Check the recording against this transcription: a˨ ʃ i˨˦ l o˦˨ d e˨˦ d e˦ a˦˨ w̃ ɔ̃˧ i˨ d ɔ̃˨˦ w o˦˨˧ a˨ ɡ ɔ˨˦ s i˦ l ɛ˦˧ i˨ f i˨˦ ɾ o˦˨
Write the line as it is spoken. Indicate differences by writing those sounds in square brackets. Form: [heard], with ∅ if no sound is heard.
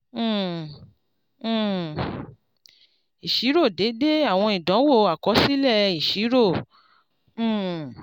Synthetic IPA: [i˨] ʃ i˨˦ [ɾ] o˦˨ d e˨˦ d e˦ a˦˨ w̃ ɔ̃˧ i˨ d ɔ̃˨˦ w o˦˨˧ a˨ [k] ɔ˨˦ s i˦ l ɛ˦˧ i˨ [ʃ] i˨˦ ɾ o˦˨